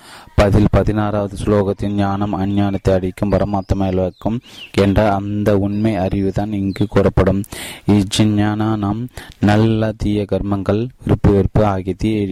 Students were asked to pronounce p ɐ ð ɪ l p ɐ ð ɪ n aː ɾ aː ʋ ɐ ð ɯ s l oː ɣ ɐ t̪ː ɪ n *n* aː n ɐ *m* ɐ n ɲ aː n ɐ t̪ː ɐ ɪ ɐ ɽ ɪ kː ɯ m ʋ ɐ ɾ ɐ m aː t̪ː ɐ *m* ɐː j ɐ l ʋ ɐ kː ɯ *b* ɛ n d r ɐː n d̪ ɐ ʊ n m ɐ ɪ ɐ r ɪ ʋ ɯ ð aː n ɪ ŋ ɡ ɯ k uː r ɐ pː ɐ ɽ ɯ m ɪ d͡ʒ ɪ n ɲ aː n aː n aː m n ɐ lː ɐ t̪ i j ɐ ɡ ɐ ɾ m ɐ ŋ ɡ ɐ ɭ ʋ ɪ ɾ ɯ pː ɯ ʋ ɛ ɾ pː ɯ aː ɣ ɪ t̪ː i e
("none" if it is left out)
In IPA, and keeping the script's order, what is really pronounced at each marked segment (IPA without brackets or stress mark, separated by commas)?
ɲ, m, m, m